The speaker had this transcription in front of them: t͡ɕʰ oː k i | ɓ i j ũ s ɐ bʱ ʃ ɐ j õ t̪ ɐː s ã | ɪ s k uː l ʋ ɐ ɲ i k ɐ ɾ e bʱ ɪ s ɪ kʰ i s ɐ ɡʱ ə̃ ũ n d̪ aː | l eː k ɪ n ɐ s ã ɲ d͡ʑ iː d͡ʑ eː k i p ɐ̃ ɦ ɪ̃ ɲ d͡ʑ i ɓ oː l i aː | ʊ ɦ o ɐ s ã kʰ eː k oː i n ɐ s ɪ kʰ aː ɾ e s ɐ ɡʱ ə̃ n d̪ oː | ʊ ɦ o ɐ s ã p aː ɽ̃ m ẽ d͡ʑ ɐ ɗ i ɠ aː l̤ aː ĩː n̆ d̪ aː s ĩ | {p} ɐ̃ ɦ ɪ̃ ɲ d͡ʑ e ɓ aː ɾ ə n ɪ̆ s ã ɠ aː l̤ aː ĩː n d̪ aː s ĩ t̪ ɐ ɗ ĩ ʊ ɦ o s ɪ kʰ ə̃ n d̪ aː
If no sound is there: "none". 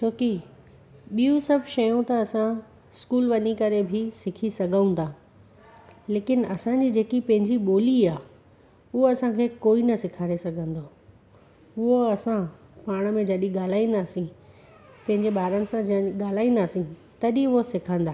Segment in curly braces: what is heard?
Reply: p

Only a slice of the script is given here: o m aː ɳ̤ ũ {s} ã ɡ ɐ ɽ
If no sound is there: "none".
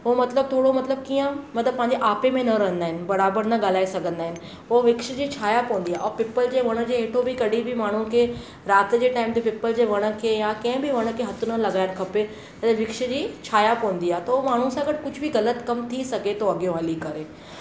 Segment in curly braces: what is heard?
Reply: s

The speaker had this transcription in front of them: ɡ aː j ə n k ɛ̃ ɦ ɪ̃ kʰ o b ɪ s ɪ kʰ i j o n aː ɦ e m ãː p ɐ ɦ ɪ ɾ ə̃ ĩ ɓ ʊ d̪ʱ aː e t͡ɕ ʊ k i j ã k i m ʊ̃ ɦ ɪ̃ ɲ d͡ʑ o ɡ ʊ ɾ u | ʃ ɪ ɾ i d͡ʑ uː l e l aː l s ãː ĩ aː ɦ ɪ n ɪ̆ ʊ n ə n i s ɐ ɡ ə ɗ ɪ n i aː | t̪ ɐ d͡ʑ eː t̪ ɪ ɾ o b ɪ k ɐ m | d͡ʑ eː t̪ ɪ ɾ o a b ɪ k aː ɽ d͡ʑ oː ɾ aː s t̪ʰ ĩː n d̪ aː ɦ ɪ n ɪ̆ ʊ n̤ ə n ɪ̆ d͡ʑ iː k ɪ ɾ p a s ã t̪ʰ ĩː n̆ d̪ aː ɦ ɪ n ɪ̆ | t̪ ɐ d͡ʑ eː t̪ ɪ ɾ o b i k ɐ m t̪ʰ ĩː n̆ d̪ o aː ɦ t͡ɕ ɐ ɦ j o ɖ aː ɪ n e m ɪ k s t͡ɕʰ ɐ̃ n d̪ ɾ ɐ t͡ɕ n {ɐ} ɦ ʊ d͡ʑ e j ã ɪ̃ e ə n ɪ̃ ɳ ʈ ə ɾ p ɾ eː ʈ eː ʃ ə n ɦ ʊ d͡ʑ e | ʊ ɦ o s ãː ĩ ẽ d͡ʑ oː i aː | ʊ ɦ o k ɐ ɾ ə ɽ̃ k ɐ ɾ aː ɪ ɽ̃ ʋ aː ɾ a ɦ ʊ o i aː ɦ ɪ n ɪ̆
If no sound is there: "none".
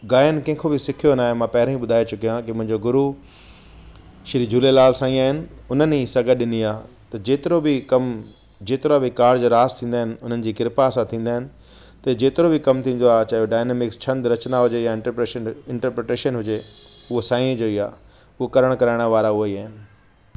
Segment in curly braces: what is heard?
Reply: a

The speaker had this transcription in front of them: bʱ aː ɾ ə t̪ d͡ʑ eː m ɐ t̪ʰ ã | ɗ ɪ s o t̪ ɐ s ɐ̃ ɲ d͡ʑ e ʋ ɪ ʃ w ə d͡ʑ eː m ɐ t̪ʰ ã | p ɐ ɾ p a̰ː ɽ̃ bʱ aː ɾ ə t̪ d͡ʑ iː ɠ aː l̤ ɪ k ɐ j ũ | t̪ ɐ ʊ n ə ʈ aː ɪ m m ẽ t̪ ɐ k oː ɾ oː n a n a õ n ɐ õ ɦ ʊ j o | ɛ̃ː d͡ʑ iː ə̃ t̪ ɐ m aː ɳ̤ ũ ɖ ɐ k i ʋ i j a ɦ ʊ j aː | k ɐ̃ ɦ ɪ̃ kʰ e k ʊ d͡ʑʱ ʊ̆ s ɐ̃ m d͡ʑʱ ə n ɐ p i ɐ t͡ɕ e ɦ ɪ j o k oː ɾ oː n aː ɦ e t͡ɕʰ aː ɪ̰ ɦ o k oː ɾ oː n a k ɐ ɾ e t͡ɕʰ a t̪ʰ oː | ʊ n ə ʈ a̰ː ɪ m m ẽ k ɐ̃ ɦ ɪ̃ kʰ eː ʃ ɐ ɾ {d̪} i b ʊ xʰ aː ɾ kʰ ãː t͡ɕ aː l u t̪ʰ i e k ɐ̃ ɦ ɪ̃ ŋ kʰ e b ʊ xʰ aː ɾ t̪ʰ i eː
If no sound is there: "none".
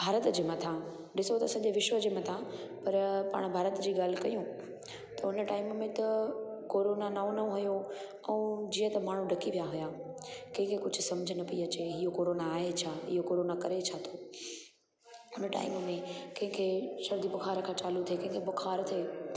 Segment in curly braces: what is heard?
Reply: d̪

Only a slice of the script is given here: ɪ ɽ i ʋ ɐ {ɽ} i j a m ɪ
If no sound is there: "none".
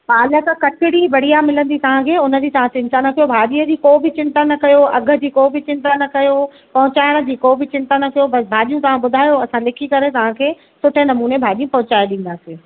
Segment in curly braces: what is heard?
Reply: ɽ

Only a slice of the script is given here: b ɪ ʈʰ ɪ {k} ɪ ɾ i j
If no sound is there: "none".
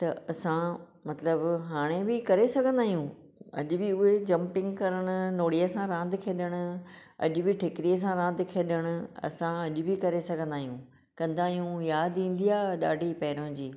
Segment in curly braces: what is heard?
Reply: k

